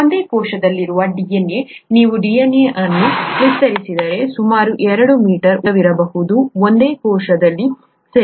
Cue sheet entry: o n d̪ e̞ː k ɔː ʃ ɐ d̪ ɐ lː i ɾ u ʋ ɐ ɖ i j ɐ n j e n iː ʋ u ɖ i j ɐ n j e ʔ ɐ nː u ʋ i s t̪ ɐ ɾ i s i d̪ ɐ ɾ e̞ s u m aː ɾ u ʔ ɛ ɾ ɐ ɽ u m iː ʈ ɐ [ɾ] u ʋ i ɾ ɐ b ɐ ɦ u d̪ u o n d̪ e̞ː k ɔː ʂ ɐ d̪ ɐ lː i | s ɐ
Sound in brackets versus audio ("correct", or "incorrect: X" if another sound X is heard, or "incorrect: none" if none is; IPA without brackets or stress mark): correct